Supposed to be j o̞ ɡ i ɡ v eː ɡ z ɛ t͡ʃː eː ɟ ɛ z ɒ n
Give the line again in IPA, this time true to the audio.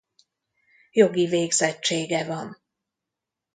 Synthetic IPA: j o̞ ɡ i v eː ɡ z ɛ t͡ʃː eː ɡ ɛ v ɒ n

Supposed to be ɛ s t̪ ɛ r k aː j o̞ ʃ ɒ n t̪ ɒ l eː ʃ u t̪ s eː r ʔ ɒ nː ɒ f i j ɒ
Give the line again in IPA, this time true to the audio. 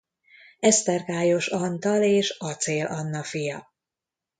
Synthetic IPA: ɛ s t̪ ɛ r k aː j o̞ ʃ ɒ n t̪ ɒ l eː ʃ ɒ t̪ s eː l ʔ ɒ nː ɒ f i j ɒ

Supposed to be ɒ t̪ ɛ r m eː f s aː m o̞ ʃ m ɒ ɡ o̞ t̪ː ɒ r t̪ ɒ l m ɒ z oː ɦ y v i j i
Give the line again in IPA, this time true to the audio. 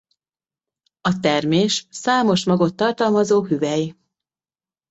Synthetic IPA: ɒ t̪ ɛ r m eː ʃ s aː m o̞ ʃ m ɒ ɡ o̞ t̪ː ɒ r t̪ ɒ l m ɒ z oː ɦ y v ɛ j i

